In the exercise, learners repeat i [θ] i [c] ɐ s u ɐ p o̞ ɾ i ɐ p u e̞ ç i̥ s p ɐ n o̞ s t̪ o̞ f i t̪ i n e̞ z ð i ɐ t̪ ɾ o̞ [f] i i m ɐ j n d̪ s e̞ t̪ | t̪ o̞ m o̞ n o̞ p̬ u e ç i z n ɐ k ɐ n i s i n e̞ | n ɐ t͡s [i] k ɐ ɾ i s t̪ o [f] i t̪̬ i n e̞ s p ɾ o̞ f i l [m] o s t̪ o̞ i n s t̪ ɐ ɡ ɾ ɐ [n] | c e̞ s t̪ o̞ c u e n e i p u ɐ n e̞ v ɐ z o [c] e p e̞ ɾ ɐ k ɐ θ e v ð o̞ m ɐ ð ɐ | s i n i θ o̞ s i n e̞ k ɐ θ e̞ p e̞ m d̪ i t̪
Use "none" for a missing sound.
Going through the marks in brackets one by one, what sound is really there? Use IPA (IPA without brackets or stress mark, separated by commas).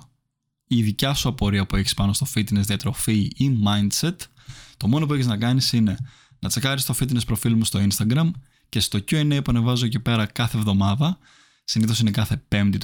ð, c, f, e, f, m, m, c